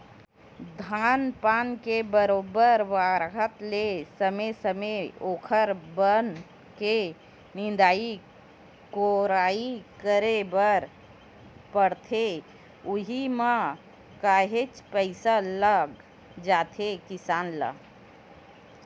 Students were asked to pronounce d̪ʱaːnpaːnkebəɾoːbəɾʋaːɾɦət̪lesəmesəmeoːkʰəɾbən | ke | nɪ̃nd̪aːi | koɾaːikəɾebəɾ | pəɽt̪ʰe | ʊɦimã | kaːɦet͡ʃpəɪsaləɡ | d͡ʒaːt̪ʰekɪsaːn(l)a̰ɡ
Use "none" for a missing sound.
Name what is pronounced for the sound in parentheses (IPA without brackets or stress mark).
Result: l